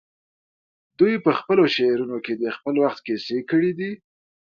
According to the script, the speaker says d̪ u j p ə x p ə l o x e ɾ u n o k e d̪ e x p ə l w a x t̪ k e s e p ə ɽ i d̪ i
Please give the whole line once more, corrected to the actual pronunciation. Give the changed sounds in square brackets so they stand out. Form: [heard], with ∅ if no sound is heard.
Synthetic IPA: d̪ u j p ə x p ə l o [ʃ] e ɾ u n o k e d̪ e x p ə l w a x t̪ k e s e [k] ə ɽ i d̪ i